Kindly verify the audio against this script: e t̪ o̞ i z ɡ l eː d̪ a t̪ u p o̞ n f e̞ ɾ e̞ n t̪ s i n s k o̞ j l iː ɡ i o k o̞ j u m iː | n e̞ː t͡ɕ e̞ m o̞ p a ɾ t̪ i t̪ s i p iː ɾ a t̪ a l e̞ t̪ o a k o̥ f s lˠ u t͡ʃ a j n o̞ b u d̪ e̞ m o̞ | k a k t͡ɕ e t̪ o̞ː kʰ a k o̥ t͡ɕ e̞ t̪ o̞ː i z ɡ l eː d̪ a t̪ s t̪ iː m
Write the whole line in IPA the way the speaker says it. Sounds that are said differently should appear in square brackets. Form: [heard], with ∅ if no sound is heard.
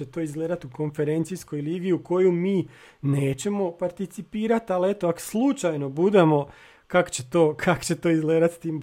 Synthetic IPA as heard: e t̪ o̞ i z ɡ l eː d̪ a t̪ u [k] o̞ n f e̞ ɾ e̞ n t̪ s i [∅] s k o̞ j l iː ɡ i [u] k o̞ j u m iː | n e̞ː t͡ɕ e̞ m o̞ p a ɾ t̪ i t̪ s i p iː ɾ a t̪ a l e̞ t̪ o a k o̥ [∅] s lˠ u t͡ʃ a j n o̞ b u d̪ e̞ m o̞ | k a k t͡ɕ e t̪ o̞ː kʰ a k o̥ t͡ɕ e̞ t̪ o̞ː i z ɡ l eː d̪ a t̪ s t̪ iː m